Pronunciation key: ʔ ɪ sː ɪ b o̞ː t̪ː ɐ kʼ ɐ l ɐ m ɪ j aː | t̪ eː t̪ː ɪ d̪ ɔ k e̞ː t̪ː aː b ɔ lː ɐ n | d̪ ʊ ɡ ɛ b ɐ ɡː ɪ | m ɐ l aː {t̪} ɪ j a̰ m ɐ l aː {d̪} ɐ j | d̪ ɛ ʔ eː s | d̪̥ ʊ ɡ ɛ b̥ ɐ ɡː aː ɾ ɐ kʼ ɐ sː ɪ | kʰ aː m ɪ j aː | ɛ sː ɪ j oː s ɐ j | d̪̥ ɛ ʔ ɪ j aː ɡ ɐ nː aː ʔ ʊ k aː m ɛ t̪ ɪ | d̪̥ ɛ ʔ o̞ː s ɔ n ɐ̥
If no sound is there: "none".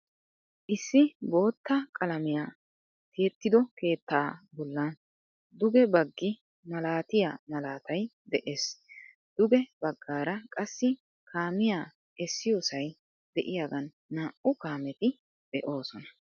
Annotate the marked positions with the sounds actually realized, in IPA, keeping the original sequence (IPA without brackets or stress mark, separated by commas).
t̪, t̪